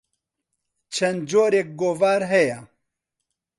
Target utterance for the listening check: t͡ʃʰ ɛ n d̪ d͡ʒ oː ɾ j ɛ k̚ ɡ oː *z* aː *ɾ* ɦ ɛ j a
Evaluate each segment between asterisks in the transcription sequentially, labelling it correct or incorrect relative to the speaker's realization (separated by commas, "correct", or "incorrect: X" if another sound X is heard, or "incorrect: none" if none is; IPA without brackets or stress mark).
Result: incorrect: v, correct